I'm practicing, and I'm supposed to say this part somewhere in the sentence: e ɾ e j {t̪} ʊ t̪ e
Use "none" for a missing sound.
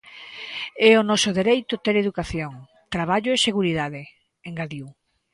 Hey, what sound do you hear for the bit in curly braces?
t̪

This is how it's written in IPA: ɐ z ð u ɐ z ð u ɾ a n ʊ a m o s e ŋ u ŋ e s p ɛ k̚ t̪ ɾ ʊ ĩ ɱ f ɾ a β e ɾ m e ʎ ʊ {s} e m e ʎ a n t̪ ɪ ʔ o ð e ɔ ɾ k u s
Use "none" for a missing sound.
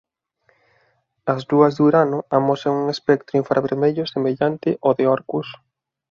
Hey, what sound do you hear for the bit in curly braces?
s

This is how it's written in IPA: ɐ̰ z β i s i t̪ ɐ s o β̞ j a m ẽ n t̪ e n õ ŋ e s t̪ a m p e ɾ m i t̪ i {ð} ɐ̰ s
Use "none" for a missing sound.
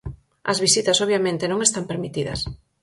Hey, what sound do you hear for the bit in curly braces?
ð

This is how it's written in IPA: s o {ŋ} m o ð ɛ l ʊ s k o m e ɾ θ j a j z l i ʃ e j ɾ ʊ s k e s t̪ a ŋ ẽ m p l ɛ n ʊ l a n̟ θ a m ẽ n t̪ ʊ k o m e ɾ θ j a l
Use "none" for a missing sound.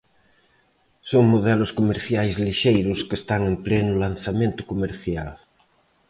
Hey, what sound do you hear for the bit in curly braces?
ŋ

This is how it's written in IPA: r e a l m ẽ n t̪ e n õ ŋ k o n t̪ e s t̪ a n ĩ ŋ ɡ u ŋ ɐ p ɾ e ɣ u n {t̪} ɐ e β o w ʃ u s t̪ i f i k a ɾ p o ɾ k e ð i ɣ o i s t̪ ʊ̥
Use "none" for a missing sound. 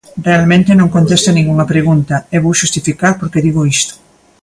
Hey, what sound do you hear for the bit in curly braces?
t̪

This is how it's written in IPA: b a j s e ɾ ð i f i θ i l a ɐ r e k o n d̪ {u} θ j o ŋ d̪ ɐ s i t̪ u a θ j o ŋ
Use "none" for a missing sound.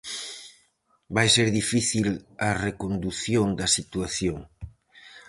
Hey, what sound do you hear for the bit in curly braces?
u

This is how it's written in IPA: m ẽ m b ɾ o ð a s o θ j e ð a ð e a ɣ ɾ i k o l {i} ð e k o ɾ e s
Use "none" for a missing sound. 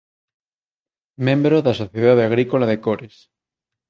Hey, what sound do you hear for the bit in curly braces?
a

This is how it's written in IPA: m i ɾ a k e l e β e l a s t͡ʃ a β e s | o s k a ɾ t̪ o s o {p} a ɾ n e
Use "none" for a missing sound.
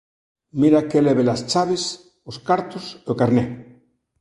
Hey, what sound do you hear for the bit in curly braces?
k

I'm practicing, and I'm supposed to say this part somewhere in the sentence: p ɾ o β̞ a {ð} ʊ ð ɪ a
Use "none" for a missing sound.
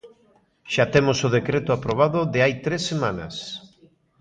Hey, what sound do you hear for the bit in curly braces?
ð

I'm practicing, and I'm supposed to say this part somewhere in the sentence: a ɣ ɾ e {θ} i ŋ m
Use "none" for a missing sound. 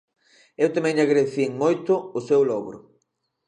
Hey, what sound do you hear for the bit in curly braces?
θ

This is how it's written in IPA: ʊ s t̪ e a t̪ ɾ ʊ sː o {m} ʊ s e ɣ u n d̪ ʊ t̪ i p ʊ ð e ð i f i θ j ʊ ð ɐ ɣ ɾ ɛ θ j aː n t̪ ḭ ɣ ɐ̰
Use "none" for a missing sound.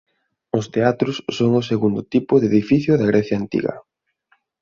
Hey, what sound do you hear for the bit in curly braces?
ŋ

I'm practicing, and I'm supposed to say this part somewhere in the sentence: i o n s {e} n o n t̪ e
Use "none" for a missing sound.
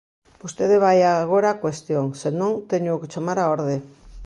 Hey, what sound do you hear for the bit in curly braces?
e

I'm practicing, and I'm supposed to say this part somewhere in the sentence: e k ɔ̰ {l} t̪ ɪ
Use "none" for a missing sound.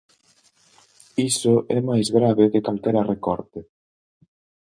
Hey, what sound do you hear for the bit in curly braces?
ɾ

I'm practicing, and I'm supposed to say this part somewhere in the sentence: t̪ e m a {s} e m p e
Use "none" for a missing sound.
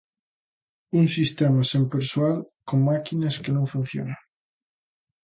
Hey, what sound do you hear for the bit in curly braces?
s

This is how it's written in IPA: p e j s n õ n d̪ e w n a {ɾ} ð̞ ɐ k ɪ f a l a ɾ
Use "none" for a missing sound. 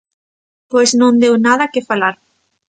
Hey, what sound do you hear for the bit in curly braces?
none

